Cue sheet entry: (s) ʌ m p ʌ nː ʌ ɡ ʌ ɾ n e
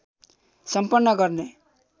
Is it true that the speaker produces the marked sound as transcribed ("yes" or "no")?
yes